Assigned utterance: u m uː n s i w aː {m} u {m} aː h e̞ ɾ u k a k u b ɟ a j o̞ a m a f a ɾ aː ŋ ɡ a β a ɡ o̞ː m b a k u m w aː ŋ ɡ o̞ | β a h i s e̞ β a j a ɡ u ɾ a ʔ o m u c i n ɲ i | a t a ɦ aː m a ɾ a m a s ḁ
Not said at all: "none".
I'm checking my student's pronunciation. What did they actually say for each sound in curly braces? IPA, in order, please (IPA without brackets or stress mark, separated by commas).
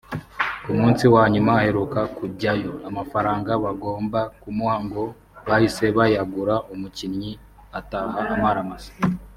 ɲ, m